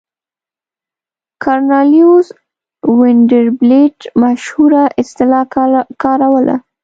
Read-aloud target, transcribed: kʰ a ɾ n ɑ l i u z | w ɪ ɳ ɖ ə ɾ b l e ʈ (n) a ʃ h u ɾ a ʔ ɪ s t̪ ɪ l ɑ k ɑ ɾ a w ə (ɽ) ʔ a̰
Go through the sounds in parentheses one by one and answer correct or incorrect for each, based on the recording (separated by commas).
incorrect, incorrect